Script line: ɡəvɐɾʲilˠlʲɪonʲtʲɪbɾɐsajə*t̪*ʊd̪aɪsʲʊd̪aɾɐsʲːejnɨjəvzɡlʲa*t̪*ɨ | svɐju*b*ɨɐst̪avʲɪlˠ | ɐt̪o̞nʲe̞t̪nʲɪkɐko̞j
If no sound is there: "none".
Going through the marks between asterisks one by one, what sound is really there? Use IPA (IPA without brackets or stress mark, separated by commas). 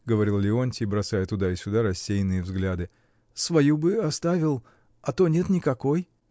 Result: t̪, d̪, b